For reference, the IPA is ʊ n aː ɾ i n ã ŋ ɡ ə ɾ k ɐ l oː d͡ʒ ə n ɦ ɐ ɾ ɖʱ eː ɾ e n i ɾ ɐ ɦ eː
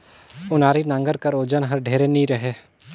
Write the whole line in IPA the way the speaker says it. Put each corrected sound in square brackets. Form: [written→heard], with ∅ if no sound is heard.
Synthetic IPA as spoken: ʊ n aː ɾ i n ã ŋ ɡ ə ɾ k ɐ [l→ɾ] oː d͡ʒ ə n ɦ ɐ ɾ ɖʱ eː ɾ e n i ɾ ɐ ɦ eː